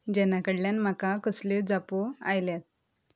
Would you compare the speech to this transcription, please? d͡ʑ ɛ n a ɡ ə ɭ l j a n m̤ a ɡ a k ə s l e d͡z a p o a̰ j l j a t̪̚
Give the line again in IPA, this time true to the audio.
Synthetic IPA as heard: d͡ʑ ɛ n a k ə ɽ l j a n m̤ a k a k ə s l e d͡z a p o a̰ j l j a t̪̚